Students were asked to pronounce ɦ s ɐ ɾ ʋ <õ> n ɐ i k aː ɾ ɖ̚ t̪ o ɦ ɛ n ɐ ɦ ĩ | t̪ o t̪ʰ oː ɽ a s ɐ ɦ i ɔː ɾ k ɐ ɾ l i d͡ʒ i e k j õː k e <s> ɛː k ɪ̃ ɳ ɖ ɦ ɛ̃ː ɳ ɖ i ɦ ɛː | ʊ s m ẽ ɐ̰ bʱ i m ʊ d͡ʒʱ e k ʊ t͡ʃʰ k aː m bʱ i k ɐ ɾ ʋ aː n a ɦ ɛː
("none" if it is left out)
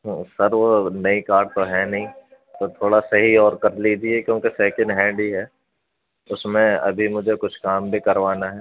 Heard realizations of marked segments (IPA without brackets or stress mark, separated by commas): o, s